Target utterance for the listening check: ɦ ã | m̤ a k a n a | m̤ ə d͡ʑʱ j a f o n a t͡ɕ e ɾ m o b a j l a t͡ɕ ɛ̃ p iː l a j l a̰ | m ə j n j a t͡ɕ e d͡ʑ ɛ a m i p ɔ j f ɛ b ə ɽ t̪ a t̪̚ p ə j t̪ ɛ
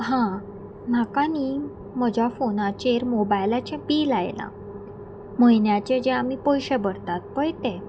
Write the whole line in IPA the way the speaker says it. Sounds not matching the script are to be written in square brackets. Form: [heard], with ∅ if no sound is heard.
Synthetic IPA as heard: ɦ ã | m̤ a k a n [i] | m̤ ə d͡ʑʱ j a f o n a t͡ɕ e ɾ m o b a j l a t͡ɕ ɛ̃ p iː l a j l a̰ | m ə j n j a t͡ɕ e d͡ʑ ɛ a m i p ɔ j [ɕ] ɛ b ə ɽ t̪ a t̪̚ p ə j t̪ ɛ